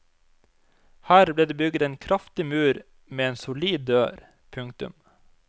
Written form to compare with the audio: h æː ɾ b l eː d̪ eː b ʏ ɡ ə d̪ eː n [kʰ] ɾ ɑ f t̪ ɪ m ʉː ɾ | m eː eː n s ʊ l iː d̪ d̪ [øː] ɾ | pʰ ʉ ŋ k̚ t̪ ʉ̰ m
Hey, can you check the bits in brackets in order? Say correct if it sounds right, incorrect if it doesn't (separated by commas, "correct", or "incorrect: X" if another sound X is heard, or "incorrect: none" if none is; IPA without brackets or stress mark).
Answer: correct, correct